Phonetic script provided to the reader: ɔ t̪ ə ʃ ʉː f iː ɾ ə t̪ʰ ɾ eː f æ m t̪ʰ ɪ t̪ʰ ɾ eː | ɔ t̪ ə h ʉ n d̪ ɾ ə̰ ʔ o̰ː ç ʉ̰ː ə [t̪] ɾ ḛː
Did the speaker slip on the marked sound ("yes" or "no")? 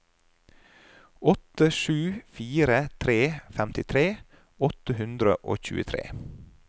yes